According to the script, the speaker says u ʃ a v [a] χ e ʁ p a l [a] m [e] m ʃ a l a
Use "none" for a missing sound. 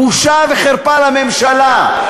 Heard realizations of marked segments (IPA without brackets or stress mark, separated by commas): e, a, e